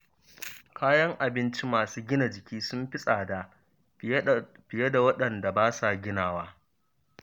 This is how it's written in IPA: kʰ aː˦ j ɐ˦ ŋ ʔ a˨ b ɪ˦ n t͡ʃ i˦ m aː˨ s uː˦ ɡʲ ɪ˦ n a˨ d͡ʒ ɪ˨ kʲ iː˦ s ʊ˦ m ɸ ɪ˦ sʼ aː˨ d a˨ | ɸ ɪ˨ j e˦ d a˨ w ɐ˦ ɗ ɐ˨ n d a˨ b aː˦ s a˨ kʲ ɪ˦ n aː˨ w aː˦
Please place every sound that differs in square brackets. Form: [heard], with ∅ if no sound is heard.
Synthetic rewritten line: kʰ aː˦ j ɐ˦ ŋ ʔ a˨ b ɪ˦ n t͡ʃ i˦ m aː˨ s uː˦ ɡʲ ɪ˦ n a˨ d͡ʒ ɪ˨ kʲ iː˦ s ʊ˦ m ɸ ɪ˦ sʼ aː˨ d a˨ | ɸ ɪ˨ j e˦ d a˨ w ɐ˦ ɗ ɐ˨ n d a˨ b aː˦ s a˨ [ɡʲ] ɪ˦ n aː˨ w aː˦